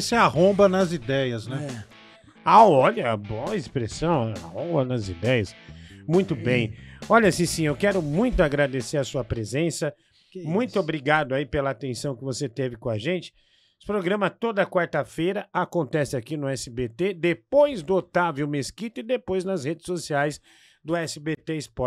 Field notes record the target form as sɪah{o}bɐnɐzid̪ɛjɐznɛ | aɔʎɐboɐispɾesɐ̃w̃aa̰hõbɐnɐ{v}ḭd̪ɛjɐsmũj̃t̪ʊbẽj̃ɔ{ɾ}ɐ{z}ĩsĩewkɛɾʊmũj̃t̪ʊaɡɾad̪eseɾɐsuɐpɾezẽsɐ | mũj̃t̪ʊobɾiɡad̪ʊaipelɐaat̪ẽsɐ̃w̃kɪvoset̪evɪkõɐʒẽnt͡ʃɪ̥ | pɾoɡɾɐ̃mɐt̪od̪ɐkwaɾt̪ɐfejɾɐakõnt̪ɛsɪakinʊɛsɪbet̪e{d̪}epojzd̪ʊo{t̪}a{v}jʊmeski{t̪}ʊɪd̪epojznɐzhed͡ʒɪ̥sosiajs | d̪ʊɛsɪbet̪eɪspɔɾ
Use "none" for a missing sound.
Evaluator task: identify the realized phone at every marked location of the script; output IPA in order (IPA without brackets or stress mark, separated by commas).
õ, z, ʎ, s, d̪, t̪, v, t̪